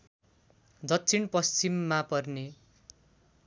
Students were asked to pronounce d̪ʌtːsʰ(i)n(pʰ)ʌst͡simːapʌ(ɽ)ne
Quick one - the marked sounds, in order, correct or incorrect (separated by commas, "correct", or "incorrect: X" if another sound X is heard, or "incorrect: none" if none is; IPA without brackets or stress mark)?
correct, incorrect: p, incorrect: r